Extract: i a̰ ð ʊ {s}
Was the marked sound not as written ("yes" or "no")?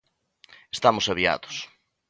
no